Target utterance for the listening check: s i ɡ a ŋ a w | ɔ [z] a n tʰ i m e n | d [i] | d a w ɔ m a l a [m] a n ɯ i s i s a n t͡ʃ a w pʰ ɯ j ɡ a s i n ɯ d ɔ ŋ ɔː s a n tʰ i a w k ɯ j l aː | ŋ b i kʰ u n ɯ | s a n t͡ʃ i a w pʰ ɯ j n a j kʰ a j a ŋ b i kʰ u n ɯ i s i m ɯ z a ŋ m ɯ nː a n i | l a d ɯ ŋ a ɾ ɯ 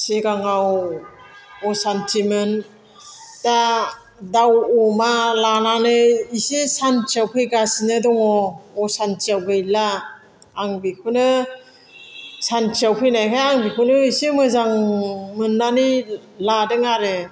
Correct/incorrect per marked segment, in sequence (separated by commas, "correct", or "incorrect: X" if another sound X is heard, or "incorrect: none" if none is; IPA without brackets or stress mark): incorrect: s, incorrect: a, incorrect: n